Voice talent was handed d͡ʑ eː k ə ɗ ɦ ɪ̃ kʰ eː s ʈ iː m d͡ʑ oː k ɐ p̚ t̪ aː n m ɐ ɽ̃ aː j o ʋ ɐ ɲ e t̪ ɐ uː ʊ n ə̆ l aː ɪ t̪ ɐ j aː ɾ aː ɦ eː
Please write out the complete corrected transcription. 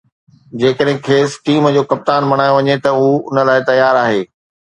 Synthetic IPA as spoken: d͡ʑ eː k ə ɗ ɦ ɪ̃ kʰ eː s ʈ iː m d͡ʑ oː k ɐ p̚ t̪ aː n m ɐ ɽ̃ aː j o ʋ ɐ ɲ e t̪ ɐ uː ʊ n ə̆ l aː ɪ t̪ ɐ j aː ɾ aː ɦ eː